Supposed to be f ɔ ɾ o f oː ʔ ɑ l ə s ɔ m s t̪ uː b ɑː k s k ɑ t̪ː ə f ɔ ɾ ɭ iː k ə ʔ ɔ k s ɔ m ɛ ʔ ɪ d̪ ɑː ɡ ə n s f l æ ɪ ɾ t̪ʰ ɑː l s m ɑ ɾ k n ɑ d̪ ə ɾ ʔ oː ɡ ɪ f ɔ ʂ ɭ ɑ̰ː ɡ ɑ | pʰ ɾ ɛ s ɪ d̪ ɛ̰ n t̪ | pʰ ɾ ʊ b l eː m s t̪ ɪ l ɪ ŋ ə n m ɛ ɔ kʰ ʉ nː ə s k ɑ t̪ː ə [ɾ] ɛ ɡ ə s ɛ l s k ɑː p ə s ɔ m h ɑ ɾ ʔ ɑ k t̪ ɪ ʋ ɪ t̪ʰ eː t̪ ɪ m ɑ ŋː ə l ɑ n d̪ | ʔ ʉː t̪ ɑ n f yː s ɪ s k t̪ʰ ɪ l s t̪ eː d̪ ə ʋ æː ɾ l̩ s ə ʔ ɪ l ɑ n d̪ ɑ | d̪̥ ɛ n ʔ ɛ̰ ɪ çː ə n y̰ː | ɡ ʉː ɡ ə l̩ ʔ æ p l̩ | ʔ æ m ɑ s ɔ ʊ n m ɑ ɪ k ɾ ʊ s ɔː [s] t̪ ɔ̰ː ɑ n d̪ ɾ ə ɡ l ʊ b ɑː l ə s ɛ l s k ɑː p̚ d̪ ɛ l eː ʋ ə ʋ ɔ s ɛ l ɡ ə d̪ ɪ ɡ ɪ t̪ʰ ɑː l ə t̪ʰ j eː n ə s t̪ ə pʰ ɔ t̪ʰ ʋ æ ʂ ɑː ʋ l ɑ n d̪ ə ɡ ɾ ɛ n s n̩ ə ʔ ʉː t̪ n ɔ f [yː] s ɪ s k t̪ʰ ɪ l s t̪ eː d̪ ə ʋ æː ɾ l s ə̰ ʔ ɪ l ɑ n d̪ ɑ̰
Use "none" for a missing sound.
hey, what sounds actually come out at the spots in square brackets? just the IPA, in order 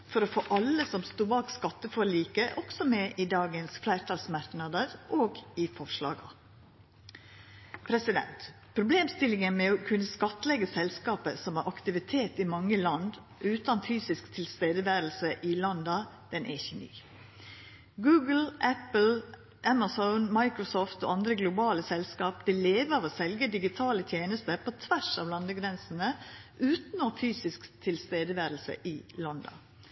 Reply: l, f, yː

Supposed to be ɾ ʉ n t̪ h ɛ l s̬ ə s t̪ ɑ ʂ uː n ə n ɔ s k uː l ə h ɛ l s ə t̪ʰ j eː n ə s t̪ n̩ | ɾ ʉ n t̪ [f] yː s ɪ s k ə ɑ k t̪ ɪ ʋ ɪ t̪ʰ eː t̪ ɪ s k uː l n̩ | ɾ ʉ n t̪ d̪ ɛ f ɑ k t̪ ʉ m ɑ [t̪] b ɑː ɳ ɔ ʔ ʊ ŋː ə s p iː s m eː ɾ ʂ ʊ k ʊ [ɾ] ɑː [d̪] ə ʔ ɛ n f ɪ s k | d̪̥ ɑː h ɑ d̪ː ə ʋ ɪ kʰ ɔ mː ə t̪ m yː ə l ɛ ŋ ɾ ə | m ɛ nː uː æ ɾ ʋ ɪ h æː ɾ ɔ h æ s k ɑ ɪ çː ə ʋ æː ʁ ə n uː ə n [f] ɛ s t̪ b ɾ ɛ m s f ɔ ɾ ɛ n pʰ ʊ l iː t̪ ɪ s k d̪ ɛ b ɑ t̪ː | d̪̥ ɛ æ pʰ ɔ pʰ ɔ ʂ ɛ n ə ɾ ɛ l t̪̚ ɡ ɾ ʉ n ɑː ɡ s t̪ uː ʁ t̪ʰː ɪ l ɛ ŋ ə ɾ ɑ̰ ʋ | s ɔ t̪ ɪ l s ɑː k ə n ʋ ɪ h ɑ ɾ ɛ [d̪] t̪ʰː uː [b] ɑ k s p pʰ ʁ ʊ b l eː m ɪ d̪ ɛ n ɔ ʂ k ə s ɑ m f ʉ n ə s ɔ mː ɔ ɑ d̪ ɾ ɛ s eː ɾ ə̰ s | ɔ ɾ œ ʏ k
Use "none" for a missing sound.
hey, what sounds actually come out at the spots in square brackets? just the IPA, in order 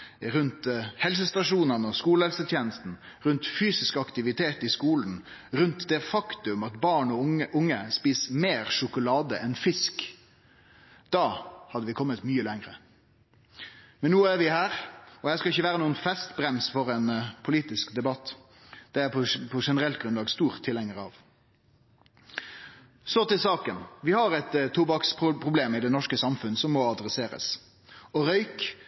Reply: f, t̪, l, d̪, f, t̪, b

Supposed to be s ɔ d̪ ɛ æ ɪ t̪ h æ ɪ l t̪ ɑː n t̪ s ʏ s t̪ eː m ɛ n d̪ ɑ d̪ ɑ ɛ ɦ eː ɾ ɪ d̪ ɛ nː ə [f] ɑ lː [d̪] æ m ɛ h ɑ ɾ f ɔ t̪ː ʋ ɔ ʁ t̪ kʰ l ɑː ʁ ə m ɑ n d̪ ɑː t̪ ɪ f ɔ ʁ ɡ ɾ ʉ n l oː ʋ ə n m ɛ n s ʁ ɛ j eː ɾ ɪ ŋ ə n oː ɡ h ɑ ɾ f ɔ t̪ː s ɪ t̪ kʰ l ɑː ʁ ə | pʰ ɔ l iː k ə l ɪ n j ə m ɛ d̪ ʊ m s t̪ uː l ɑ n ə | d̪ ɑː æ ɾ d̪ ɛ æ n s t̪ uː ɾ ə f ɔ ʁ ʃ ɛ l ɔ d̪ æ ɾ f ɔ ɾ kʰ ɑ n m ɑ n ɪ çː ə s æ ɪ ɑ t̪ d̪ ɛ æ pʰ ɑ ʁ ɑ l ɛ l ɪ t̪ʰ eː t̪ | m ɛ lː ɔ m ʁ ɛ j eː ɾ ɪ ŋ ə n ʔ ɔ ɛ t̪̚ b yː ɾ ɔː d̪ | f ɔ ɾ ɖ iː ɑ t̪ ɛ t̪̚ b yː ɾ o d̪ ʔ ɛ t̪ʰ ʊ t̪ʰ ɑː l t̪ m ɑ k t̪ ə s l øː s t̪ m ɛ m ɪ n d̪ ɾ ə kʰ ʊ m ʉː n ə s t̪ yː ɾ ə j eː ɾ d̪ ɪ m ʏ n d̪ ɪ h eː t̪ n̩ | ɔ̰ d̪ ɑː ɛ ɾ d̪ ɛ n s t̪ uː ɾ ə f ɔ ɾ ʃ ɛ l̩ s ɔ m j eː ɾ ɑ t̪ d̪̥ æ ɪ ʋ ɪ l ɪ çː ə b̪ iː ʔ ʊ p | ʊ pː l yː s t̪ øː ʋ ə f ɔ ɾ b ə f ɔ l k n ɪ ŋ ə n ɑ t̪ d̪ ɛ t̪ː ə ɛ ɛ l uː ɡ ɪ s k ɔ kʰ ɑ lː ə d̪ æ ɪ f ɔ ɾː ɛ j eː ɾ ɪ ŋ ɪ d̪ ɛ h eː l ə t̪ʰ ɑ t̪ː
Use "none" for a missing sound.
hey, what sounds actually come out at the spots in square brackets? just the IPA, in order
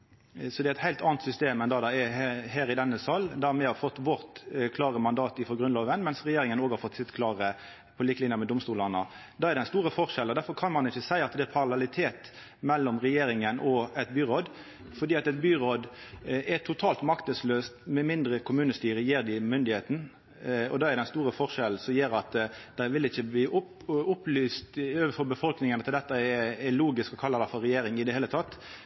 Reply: s, d̪

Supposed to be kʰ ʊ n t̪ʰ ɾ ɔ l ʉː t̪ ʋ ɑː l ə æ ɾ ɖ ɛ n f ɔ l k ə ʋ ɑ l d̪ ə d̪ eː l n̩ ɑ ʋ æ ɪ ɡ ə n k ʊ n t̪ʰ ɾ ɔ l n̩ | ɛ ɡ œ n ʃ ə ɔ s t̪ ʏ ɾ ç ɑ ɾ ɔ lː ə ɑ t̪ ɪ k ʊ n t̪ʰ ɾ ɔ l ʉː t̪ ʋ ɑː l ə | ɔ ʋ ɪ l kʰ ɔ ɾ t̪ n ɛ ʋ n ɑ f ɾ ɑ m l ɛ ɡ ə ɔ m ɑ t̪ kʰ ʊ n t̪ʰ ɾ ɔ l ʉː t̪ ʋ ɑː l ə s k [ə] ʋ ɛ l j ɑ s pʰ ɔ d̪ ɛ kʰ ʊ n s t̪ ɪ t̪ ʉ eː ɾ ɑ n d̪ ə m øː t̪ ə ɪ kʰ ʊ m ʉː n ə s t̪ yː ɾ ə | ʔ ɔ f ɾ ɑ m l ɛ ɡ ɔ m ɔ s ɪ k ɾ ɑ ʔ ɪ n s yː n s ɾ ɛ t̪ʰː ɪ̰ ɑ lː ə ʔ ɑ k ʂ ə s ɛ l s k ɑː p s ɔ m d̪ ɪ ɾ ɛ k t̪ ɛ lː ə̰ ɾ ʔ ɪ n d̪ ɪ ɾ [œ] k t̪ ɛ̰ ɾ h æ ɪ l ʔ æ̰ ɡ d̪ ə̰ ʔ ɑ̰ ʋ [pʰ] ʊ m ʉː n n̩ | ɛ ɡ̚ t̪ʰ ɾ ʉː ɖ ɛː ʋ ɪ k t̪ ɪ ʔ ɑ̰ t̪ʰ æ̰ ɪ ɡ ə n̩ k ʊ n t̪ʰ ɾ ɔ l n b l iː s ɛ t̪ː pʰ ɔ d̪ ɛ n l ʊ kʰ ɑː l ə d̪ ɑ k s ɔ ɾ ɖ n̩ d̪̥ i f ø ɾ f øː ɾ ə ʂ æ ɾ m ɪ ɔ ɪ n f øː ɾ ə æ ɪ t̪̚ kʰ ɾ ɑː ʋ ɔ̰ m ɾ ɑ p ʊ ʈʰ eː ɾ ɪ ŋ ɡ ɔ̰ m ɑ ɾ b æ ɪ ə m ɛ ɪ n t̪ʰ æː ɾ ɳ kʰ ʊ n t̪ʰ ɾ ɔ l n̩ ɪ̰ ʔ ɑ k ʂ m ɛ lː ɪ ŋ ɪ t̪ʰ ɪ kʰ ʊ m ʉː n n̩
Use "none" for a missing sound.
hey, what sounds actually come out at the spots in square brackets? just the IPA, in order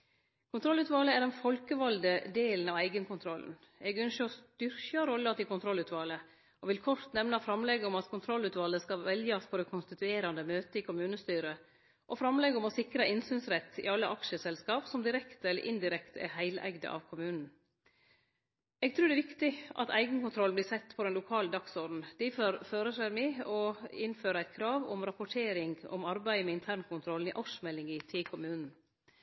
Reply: ɑ, ɛ, kʰ

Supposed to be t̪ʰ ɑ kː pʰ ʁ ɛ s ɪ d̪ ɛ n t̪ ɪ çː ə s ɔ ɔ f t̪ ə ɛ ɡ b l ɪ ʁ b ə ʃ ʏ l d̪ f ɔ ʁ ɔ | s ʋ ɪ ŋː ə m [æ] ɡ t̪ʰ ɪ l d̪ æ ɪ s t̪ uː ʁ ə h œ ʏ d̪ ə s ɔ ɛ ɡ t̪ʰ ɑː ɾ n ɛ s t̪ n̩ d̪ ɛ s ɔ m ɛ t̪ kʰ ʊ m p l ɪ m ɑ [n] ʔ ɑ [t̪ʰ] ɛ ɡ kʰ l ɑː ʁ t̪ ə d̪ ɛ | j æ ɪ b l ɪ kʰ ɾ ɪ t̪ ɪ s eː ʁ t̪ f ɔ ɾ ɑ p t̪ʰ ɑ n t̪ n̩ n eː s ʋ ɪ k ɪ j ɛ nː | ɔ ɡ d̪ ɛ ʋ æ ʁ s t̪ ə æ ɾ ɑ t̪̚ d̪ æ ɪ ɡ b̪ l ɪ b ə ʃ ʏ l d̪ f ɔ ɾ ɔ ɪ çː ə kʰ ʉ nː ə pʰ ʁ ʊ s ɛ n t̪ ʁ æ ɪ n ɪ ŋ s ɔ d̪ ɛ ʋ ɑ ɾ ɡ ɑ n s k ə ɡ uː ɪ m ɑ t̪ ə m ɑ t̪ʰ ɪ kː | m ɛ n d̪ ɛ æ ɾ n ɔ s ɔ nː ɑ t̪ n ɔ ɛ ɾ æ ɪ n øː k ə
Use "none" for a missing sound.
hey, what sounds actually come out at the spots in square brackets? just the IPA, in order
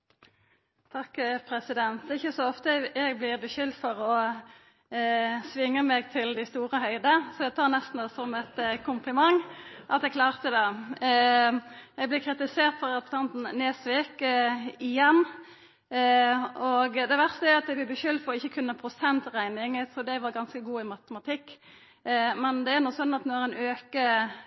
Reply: ɛ, ŋ, t̪

